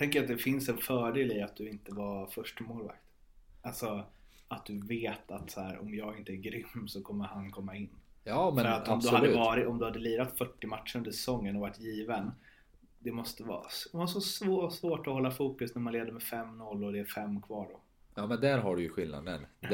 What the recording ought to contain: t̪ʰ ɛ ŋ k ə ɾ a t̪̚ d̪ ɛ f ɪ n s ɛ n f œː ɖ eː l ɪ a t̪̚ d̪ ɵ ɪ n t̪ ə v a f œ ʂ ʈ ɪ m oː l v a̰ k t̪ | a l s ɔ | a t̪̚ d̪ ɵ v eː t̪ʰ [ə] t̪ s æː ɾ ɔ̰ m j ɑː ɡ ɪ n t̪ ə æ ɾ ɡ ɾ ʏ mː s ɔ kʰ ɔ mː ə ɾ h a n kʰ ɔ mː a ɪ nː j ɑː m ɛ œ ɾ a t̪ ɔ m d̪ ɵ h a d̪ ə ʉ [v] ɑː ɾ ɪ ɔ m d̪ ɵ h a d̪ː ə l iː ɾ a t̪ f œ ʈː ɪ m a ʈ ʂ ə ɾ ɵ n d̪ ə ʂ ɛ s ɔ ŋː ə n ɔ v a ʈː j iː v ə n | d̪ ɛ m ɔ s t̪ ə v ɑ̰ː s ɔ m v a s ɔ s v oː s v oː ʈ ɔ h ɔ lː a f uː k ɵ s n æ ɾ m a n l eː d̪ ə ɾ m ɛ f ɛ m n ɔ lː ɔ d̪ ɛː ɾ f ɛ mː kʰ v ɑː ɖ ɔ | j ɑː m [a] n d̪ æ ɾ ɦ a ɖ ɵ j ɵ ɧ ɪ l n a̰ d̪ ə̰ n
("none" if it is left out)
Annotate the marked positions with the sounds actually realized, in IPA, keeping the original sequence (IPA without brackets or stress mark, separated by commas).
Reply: a, v, ɛ